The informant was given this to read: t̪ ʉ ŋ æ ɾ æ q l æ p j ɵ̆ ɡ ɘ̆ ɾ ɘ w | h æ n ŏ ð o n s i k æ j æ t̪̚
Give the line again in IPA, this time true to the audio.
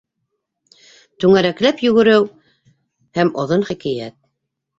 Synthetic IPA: t̪ ʉ ŋ æ ɾ æ k l æ p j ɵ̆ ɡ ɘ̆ ɾ ɘ w | h æ m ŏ ð o n χ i k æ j æ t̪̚